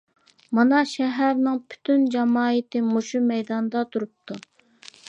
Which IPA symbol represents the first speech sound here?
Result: m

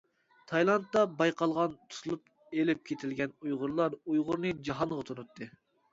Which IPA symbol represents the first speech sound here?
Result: t̪ʰ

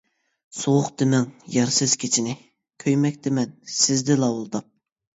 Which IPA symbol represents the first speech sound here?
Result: s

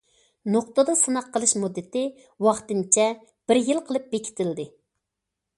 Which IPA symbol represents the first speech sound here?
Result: n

